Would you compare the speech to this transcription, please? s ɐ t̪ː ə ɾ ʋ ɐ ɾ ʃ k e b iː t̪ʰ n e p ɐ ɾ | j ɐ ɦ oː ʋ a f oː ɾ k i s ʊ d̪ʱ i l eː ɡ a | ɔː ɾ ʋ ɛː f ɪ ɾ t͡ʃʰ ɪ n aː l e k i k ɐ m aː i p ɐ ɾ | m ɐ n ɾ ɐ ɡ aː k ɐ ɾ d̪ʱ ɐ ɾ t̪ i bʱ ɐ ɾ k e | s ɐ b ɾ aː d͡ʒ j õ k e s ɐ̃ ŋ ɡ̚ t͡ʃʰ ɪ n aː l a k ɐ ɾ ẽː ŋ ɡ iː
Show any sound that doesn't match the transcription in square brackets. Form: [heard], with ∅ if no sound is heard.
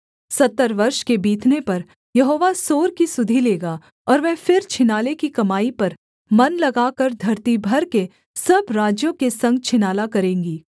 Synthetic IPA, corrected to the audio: s ɐ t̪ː ə ɾ ʋ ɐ ɾ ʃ k e b iː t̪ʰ n e p ɐ ɾ | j ɐ ɦ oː ʋ a [s] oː ɾ k i s ʊ d̪ʱ i l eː ɡ a | ɔː ɾ ʋ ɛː f ɪ ɾ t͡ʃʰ ɪ n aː l e k i k ɐ m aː i p ɐ ɾ | m ɐ n [l] ɐ ɡ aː k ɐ ɾ d̪ʱ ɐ ɾ t̪ i bʱ ɐ ɾ k e | s ɐ b ɾ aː d͡ʒ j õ k e s ɐ̃ ŋ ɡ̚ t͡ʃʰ ɪ n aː l a k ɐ ɾ ẽː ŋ ɡ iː